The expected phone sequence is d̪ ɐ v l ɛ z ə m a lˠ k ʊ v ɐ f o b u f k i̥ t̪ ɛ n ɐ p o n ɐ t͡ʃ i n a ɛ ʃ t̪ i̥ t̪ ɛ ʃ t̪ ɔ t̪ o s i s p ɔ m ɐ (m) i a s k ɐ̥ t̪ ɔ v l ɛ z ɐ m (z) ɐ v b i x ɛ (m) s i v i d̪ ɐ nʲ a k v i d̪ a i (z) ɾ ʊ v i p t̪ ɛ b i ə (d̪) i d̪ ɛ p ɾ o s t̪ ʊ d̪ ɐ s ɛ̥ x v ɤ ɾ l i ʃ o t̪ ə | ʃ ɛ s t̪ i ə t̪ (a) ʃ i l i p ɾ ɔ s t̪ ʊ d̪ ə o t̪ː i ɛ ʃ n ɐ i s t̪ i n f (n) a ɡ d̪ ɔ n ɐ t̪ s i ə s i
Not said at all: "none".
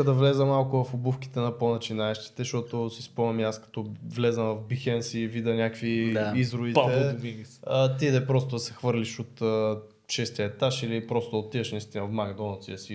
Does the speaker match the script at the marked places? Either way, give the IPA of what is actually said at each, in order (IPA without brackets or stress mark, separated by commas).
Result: m, v, n, z, t̪, a, m